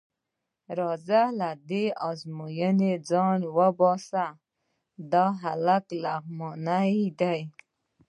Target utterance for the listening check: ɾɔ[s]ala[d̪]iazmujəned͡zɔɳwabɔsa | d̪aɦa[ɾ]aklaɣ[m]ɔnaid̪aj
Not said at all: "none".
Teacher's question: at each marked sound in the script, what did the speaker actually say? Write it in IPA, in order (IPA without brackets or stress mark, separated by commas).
z, d̪, l, m